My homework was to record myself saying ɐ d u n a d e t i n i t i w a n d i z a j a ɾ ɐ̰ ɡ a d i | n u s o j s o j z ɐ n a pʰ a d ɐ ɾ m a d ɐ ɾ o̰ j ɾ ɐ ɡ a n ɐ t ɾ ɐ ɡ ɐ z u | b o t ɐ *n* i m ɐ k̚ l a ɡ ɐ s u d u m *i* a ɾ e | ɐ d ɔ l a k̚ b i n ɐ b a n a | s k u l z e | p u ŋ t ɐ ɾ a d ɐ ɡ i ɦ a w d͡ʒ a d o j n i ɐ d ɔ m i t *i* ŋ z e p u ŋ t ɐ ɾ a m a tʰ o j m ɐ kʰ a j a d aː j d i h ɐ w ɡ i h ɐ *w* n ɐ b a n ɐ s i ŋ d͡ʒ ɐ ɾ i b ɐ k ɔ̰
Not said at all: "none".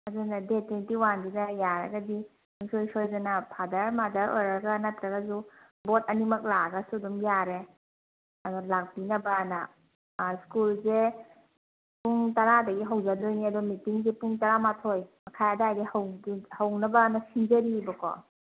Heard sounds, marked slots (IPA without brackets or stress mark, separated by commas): n, j, i, w